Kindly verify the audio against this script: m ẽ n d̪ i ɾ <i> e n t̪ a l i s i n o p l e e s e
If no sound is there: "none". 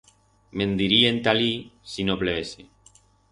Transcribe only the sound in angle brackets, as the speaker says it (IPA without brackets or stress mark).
i